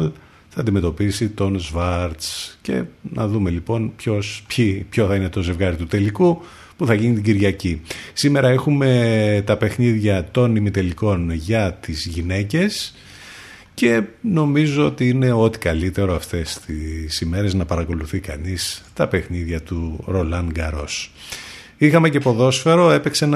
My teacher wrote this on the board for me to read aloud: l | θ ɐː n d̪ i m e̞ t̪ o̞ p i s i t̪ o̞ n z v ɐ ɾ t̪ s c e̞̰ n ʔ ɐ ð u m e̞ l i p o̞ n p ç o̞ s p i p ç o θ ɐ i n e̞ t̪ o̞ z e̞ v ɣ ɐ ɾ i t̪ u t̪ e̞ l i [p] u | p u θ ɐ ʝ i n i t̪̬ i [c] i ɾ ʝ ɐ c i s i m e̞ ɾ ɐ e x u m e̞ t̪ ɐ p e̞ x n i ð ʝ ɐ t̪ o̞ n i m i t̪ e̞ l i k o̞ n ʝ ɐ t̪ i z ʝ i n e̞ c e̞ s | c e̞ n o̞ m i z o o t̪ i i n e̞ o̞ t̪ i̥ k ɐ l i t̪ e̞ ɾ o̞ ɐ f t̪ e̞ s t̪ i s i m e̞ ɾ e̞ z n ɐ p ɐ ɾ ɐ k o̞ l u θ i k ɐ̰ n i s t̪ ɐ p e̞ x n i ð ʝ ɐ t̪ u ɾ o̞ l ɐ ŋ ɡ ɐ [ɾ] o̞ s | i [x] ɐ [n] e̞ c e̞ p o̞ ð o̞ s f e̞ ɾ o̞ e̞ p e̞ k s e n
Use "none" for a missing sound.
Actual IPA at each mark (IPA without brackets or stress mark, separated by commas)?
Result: k, ɟ, ɾ, x, m